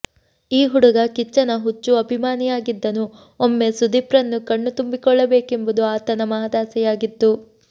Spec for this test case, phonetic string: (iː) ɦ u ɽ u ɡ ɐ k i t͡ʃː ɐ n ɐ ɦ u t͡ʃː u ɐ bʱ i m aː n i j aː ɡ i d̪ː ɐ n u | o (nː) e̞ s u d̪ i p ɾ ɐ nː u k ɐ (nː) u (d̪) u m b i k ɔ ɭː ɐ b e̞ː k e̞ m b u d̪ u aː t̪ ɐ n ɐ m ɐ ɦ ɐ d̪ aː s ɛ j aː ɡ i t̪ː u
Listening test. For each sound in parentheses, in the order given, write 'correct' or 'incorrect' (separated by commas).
correct, incorrect, incorrect, incorrect